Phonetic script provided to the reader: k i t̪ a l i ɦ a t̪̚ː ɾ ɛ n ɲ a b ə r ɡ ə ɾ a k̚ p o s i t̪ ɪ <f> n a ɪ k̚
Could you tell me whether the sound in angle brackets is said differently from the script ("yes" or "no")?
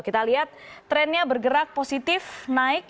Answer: no